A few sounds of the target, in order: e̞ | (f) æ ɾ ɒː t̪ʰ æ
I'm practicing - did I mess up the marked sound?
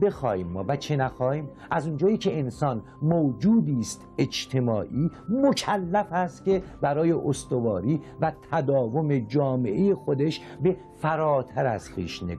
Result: no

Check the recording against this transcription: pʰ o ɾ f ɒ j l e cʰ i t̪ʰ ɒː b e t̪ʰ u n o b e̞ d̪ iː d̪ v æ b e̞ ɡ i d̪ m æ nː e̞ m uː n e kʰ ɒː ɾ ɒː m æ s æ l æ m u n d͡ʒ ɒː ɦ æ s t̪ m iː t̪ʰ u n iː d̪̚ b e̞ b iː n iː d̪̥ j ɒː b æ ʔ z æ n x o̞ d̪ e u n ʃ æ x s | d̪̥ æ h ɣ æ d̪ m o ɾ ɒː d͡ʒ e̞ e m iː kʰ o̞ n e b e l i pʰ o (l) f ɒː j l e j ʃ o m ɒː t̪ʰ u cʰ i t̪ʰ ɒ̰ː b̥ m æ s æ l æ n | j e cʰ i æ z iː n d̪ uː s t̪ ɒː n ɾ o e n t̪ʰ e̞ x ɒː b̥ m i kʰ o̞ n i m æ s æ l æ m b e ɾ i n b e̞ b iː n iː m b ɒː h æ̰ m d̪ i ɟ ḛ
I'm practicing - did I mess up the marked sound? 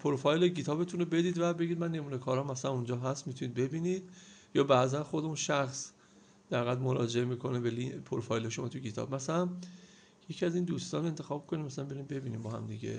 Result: yes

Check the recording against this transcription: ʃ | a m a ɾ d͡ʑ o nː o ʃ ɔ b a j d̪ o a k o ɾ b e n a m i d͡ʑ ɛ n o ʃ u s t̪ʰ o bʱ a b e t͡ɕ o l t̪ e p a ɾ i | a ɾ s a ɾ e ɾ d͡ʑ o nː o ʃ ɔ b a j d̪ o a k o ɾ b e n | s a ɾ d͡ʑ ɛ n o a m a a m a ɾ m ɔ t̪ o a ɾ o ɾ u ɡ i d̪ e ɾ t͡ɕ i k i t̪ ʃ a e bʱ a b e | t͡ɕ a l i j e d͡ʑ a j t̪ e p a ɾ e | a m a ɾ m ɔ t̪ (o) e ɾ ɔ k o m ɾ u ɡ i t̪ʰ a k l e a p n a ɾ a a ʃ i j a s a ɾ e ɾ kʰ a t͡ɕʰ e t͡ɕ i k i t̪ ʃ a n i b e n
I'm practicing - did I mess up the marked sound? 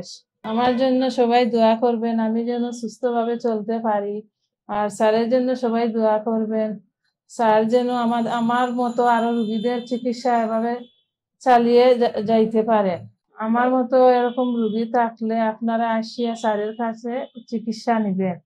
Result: no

